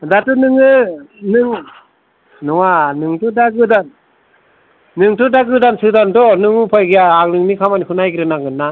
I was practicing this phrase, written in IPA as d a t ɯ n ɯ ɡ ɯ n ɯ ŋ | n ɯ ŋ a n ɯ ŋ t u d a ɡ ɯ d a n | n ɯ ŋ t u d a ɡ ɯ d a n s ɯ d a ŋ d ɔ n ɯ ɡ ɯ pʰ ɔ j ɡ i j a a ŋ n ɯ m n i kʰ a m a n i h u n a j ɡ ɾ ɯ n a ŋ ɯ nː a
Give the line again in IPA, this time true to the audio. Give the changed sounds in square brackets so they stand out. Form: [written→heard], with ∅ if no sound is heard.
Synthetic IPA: d a t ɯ n ɯ [ɡ→ŋ] ɯ n ɯ ŋ | n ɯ ŋ a n ɯ ŋ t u d a ɡ ɯ d a n | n ɯ ŋ t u d a ɡ ɯ d a n s ɯ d a [ŋ→n] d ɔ n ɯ [ɡ→ŋ] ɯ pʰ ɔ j ɡ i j a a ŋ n ɯ [m→ŋ] n i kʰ a m a n i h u n a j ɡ ɾ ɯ n a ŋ ɯ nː a